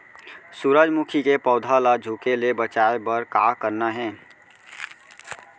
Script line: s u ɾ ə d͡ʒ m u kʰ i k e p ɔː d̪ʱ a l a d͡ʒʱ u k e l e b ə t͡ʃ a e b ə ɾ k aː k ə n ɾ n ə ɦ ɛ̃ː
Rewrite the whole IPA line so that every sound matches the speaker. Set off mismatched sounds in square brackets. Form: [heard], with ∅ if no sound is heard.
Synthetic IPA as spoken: s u ɾ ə d͡ʒ m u kʰ i k e p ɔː d̪ʱ a l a d͡ʒʱ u k e l e b ə t͡ʃ a e b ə ɾ k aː k ə [∅] ɾ n [a] ɦ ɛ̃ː